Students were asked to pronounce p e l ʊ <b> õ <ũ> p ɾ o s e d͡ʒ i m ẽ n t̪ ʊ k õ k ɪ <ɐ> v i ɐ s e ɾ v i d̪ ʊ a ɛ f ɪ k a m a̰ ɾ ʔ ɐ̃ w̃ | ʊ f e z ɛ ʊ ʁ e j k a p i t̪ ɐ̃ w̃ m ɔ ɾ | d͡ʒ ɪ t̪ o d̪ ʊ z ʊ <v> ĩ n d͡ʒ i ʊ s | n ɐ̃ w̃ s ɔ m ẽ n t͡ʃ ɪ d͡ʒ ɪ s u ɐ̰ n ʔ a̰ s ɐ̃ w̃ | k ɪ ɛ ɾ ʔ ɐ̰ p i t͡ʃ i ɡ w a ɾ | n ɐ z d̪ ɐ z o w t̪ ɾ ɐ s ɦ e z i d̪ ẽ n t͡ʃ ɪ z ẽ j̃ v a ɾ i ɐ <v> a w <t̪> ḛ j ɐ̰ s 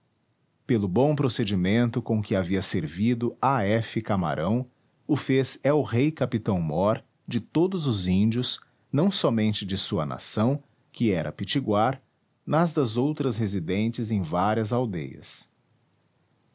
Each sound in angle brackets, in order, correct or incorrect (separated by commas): correct, incorrect, incorrect, incorrect, incorrect, incorrect